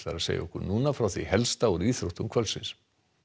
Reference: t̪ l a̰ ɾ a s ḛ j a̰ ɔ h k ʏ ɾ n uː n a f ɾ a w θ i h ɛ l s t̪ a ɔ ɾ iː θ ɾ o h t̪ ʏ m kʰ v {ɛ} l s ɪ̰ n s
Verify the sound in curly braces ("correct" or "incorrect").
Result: incorrect